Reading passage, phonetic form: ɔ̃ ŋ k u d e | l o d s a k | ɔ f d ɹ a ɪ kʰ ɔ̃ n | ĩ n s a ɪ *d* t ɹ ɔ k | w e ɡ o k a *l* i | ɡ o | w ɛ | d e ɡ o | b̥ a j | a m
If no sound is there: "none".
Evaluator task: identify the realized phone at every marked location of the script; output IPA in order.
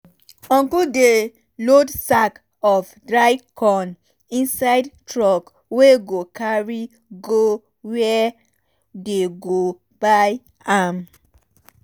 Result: d, ɹ

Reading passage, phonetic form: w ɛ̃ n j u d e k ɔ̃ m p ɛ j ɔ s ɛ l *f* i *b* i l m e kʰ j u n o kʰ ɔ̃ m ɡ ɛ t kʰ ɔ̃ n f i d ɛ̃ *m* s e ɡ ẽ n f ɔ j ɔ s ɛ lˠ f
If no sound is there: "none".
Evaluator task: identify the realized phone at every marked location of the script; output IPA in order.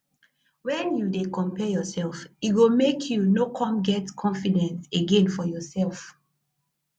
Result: f, w, n

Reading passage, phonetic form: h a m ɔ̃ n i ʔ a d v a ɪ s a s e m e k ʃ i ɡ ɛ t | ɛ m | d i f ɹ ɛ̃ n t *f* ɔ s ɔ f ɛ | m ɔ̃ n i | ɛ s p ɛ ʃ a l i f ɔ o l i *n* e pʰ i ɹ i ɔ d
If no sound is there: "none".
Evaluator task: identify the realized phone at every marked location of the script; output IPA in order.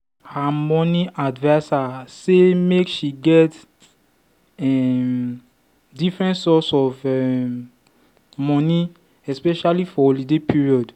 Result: s, d

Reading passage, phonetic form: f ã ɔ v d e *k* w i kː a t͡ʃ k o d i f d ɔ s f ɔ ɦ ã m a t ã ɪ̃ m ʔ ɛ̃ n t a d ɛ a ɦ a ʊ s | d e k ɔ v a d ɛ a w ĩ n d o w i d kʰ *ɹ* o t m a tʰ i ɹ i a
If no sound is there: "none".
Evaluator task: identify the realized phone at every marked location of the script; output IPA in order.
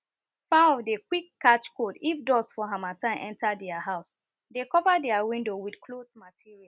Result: k, l

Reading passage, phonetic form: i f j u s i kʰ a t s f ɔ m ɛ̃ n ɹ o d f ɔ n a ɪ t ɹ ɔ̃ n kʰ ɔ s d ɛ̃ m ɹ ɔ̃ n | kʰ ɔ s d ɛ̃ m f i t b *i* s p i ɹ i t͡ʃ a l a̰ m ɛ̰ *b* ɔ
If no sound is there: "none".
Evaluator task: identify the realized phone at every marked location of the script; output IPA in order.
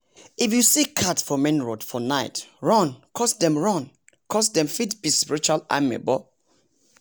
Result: i, b

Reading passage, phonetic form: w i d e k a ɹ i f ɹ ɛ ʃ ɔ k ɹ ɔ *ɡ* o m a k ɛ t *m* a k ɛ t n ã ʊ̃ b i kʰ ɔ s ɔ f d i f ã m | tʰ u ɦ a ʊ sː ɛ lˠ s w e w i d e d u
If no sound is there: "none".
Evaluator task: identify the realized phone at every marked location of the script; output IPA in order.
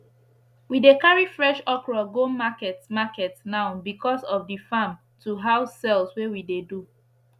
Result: ɡ, m

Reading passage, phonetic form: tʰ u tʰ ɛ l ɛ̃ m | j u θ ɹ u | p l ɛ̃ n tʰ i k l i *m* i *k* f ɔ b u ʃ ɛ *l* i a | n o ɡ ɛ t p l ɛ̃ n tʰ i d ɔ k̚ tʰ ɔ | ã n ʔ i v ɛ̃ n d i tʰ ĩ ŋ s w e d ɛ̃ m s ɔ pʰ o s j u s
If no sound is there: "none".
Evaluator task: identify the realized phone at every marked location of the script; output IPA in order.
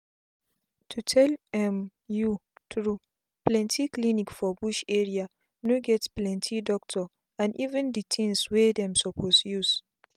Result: n, k, ɹ

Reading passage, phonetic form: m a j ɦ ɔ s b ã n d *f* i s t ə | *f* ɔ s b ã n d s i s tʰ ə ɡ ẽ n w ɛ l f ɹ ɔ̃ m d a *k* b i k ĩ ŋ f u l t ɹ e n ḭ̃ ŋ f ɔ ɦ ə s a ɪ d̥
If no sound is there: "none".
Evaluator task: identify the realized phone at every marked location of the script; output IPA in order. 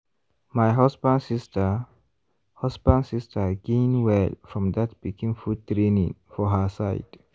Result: s, h, t

